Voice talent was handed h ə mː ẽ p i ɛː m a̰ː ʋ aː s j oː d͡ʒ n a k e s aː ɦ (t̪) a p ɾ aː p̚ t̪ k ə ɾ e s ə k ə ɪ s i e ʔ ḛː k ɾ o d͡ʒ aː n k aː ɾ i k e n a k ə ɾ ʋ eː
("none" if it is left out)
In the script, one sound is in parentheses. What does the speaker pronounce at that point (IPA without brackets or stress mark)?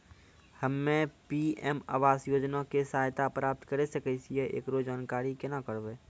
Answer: t̪